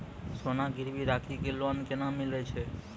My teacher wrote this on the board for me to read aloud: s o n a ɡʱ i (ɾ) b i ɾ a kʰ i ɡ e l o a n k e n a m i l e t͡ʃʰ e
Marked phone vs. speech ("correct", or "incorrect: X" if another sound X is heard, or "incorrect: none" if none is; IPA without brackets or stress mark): correct